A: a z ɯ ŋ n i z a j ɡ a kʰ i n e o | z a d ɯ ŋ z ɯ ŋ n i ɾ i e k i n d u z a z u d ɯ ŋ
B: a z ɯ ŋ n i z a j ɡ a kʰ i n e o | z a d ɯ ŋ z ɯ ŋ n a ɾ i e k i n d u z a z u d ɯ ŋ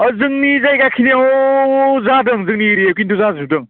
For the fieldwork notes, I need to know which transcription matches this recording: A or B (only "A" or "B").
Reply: A